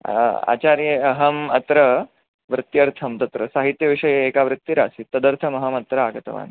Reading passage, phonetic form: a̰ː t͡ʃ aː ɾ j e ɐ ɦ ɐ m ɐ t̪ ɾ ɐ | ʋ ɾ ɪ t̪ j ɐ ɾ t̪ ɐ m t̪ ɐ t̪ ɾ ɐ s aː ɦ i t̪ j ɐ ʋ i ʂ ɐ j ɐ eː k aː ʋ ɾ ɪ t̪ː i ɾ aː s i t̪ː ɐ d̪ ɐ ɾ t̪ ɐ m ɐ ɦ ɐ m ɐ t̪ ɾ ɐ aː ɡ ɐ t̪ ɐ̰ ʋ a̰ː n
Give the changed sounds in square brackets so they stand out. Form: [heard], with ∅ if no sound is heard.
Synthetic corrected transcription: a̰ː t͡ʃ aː ɾ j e ɐ ɦ ɐ m ɐ t̪ ɾ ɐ | ʋ ɾ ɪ t̪ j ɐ ɾ [t̪ʰ] ɐ m t̪ ɐ t̪ ɾ ɐ s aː ɦ i t̪ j ɐ ʋ i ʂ ɐ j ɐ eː k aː ʋ ɾ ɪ t̪ː i ɾ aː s i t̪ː ɐ d̪ ɐ ɾ [t̪ʰ] ɐ m ɐ ɦ ɐ m ɐ t̪ ɾ ɐ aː ɡ ɐ t̪ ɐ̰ ʋ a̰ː n